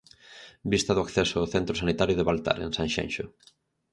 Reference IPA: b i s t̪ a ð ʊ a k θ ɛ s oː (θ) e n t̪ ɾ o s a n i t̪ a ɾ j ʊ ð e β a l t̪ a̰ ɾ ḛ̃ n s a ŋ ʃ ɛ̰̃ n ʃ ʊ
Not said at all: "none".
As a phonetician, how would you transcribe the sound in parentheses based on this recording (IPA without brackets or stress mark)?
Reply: θ